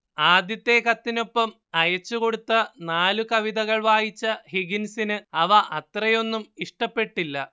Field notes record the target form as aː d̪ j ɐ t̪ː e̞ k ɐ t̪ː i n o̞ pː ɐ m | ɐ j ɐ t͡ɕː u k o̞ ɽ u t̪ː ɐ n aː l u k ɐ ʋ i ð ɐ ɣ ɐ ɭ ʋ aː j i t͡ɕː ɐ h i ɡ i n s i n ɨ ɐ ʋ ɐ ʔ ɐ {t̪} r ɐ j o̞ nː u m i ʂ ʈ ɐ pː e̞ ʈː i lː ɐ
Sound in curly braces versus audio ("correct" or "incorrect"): correct